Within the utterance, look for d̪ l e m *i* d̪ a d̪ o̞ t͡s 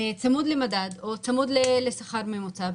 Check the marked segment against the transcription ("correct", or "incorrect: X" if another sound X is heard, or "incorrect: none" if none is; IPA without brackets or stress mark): incorrect: a